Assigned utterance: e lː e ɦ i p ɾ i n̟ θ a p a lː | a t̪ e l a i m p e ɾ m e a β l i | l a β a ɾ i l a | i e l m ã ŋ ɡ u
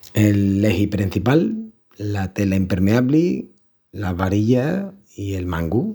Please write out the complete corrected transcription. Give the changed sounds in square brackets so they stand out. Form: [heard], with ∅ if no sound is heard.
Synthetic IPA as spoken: e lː e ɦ i p ɾ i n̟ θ [i] p a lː | a t̪ e l a i m p e ɾ m e a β l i | l a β a ɾ i [ʎ] a | i e l m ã ŋ ɡ u